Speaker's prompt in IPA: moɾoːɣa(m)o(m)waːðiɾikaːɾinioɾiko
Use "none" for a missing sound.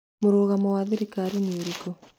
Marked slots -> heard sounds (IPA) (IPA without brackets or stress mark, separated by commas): m, none